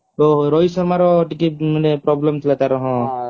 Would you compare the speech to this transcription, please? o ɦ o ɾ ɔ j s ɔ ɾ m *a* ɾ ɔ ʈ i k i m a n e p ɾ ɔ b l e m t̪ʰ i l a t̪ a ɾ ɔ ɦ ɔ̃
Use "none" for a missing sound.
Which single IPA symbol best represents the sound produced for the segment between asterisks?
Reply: a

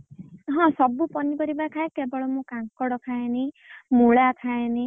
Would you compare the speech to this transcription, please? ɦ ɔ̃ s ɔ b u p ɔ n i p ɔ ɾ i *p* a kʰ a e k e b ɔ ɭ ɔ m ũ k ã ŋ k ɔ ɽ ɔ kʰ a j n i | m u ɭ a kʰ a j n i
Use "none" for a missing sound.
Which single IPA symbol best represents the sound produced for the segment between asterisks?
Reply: b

